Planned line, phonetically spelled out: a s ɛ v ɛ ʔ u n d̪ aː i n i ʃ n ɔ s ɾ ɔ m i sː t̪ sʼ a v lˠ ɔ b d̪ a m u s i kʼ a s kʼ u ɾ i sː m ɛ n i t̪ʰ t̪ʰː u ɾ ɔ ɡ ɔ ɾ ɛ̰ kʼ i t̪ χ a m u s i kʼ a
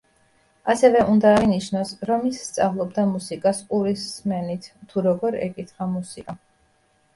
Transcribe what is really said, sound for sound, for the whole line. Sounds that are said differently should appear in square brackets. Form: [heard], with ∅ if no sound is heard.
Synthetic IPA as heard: a s ɛ v ɛ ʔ u n d̪ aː i n i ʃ n ɔ s ɾ ɔ m i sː t̪ sʼ a v lˠ ɔ b d̪ a m u s i kʼ a s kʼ u ɾ i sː m ɛ n i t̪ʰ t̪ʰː u ɾ ɔ ɡ ɔ ɾ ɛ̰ kʼ i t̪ χ a m u s i kʼ a